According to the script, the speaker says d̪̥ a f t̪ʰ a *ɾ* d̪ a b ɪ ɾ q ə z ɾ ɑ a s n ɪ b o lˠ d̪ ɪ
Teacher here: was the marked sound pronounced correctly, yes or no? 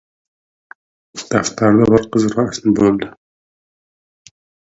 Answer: yes